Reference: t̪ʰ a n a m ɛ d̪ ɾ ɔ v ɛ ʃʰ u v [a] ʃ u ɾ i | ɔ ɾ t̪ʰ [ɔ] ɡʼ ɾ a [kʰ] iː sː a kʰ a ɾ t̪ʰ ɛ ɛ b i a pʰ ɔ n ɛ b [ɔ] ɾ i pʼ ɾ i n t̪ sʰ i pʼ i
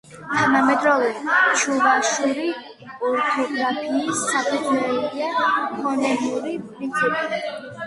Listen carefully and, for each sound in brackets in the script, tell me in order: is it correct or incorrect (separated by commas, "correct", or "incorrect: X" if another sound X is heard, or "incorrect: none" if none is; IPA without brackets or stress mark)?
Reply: correct, correct, incorrect: pʰ, incorrect: u